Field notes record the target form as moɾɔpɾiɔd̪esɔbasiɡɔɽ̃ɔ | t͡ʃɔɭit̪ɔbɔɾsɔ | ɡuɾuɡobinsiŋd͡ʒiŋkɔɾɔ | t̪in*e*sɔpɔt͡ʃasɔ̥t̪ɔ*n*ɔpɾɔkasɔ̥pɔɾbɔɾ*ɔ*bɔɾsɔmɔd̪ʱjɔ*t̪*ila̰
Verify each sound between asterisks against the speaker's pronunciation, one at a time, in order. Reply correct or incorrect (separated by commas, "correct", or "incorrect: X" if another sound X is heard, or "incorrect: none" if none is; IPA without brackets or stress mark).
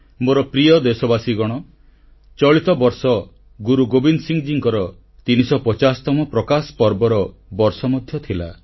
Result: incorrect: i, incorrect: m, correct, incorrect: t̪ʰ